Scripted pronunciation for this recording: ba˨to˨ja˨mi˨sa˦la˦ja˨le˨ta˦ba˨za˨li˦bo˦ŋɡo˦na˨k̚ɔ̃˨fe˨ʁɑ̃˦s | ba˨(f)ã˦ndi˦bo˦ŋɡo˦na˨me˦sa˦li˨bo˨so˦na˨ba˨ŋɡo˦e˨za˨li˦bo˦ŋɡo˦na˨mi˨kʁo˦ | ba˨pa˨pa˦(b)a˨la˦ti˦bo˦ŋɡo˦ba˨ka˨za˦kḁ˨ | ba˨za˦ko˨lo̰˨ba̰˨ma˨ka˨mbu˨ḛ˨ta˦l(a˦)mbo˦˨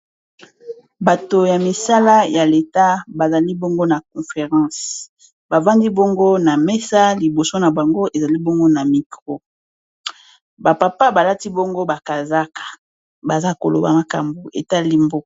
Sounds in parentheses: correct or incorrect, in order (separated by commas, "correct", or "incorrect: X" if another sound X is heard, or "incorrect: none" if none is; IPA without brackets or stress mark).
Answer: incorrect: v, correct, incorrect: i˦